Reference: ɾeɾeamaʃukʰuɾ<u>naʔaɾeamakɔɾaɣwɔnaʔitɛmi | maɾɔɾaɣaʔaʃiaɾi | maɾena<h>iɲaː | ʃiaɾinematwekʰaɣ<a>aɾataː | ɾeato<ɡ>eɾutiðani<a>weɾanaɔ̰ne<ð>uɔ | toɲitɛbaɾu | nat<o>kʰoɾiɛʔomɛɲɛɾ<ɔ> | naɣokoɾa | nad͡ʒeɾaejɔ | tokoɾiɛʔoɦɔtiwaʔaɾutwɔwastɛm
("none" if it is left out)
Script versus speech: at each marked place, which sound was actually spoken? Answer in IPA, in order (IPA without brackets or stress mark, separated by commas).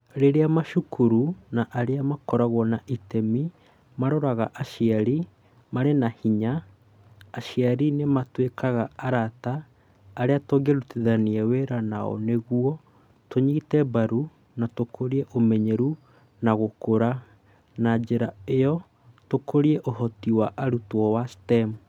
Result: u, h, a, ɡ, ɛ, ɣ, o, u